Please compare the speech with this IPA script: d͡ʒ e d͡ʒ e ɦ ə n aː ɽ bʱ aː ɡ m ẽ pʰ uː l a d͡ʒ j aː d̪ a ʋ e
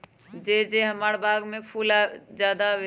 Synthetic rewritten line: d͡ʒ e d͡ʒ e ɦ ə m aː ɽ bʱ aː ɡ m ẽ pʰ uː l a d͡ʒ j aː d̪ a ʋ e